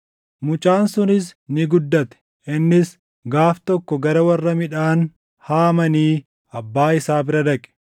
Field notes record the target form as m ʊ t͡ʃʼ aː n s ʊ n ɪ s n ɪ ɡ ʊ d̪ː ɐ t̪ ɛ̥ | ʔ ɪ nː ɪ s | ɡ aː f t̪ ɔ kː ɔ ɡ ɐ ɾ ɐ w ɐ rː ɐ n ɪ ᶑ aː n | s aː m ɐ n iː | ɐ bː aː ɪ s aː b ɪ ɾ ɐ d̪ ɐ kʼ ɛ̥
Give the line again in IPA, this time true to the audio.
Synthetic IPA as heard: m ʊ t͡ʃʼ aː n s ʊ n ɪ s n ɪ ɡ ʊ d̪ː ɐ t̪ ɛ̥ | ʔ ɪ nː ɪ s | ɡ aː f t̪ ɔ kː ɔ ɡ ɐ ɾ ɐ w ɐ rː ɐ m ɪ ᶑ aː n | h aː m ɐ n iː | ɐ bː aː ɪ s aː b ɪ ɾ ɐ d̪ ɐ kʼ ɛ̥